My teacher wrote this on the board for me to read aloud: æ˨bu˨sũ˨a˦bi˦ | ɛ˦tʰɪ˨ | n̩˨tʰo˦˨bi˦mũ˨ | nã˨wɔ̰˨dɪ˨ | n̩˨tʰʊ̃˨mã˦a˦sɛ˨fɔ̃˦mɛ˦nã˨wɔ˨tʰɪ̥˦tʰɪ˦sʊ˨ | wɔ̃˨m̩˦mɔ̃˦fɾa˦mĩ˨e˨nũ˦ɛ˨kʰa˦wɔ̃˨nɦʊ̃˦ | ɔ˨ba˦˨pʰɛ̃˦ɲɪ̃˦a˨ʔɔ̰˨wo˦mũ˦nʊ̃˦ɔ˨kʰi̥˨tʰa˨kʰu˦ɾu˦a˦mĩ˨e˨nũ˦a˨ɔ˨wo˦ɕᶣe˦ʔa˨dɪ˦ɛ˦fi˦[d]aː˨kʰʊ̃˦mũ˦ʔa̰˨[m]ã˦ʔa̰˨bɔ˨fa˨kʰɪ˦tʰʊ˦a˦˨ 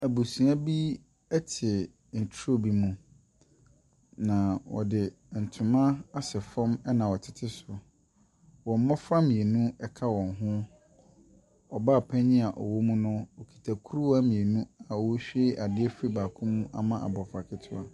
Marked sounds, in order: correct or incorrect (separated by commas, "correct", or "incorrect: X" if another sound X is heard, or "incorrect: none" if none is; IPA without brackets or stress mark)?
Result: incorrect: b, correct